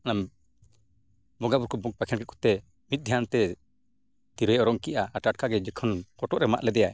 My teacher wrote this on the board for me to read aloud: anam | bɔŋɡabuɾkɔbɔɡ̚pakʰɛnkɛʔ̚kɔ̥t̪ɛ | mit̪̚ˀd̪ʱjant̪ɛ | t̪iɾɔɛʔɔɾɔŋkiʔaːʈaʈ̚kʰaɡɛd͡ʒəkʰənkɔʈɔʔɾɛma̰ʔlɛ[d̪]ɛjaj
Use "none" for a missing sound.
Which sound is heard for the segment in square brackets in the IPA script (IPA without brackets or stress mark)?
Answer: d̪